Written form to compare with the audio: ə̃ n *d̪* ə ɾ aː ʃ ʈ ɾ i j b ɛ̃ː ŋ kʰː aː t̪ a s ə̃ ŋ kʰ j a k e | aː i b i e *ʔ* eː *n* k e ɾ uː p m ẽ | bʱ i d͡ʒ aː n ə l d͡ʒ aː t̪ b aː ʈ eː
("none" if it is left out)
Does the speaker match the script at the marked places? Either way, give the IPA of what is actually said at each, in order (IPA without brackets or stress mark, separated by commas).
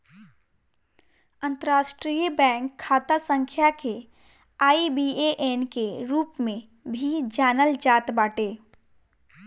t̪, ʔ, n